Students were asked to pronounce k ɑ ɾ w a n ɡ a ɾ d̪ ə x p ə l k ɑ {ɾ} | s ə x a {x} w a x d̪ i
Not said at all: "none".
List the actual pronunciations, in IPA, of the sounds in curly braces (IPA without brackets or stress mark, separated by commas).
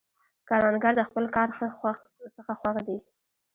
ɾ, x